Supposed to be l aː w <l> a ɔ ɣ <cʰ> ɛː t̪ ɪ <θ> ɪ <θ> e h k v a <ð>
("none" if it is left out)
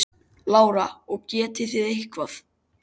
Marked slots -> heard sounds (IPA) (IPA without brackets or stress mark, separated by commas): ɾ, c, θ, ð, θ